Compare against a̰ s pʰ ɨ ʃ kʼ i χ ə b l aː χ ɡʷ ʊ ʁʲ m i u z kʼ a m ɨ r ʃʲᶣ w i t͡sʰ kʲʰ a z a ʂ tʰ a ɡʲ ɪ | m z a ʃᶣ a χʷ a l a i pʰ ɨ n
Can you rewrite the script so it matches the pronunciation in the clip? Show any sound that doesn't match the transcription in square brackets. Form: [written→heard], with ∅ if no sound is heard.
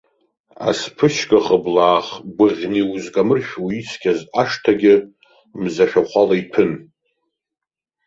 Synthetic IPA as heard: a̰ s pʰ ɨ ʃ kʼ [i→a] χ ə b l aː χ ɡʷ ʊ ʁʲ [m→n] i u z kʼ a m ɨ r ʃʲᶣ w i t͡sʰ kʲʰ a z a ʂ tʰ a ɡʲ ɪ | m z a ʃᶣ a χʷ a l a i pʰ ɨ n